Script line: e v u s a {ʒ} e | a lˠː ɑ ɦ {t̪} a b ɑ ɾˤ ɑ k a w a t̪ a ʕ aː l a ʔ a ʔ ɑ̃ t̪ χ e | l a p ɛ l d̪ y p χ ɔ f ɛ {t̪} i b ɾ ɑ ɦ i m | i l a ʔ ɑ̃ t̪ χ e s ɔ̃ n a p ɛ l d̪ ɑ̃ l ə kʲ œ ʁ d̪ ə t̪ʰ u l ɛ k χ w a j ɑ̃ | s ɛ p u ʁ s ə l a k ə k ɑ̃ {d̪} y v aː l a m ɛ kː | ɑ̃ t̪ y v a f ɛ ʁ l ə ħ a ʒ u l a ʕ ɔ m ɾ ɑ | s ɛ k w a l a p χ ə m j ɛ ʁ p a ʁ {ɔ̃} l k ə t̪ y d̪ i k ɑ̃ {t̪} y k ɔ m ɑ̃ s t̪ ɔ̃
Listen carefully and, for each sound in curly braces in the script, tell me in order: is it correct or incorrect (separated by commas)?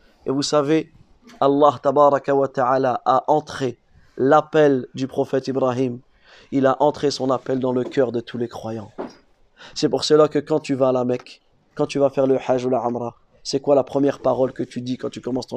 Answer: incorrect, correct, correct, incorrect, incorrect, correct